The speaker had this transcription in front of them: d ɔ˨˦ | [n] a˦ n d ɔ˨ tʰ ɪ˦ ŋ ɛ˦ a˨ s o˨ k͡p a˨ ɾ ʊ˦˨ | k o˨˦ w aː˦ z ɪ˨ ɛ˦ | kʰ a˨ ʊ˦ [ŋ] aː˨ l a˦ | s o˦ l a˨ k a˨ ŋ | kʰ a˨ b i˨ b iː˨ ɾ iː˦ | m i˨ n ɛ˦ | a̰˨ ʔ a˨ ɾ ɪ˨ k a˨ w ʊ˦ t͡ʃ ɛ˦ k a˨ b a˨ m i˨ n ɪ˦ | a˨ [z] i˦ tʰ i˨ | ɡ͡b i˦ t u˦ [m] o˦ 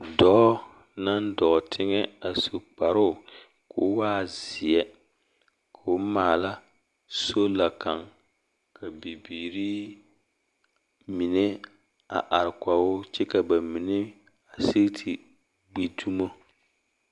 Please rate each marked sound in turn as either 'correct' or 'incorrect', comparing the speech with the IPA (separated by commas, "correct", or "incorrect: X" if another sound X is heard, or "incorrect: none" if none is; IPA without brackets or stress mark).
correct, incorrect: m, incorrect: s, correct